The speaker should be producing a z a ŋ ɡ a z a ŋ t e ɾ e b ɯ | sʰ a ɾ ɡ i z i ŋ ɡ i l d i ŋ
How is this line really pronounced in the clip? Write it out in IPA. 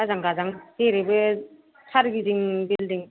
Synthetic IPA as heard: a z a ŋ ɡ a z a ŋ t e ɾ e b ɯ | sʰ a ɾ ɡ i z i ŋ b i l d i ŋ